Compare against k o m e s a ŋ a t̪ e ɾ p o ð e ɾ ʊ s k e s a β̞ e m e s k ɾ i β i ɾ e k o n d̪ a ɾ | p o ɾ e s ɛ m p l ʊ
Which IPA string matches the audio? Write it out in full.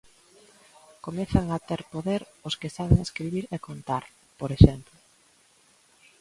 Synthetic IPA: k o m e θ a ŋ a t̪ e ɾ p o ð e ɾ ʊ s k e s a β̞ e ŋ e s k ɾ i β i ɾ e k o n t̪ a ɾ | p o ɾ e ʃ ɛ m p l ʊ